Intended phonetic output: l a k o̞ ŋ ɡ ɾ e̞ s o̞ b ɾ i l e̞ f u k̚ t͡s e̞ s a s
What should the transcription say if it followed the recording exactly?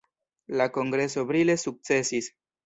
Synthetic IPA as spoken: l a k o̞ ŋ ɡ ɾ e̞ s o̞ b ɾ i l e̞ s u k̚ t͡s e̞ s i s